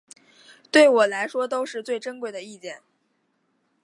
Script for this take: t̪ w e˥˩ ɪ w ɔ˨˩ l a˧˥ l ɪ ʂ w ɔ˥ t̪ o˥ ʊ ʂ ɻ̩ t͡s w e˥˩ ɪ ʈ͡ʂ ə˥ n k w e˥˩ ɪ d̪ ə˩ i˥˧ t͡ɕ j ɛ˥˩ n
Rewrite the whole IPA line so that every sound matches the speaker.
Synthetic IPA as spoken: t̪ w e˥˩ ɪ w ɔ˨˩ l a˧˥ ɪ ʂ w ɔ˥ t̪ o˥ ʊ ʂ ɻ̩ t͡s w e˥˩ ɪ ʈ͡ʂ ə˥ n k w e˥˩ ɪ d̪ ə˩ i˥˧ t͡ɕ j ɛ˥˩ n